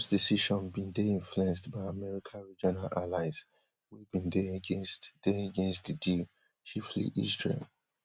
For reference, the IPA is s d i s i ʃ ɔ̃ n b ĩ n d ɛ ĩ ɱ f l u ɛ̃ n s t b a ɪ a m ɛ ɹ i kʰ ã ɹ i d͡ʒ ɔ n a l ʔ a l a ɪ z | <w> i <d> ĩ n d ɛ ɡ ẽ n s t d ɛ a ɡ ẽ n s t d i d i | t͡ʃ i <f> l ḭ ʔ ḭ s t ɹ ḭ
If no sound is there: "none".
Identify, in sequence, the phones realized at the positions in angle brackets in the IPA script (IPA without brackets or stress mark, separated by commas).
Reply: w, b, f